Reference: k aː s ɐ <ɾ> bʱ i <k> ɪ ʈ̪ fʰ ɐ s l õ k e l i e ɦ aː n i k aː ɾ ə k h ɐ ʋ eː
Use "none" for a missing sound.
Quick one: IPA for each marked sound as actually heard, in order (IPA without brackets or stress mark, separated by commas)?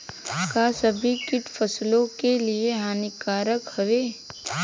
none, k